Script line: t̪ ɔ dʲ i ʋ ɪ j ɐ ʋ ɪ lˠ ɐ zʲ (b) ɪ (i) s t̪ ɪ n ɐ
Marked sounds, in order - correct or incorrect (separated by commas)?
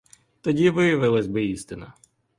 correct, correct